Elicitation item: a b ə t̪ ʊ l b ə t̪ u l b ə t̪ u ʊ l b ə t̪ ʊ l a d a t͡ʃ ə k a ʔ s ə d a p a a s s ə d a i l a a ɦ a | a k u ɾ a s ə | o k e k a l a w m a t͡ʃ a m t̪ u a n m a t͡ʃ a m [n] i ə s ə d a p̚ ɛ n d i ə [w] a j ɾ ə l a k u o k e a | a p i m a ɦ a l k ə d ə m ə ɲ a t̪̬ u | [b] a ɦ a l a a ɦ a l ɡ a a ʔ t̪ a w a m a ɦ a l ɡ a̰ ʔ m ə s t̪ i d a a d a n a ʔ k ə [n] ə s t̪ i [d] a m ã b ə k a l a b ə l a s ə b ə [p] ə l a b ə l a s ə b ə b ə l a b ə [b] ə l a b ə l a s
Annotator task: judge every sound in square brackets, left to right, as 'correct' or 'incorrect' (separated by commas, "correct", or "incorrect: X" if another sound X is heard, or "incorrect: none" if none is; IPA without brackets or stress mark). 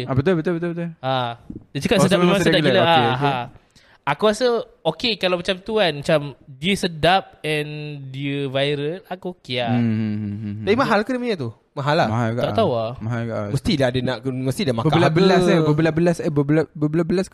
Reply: incorrect: d, incorrect: v, incorrect: m, incorrect: m, correct, incorrect: b, correct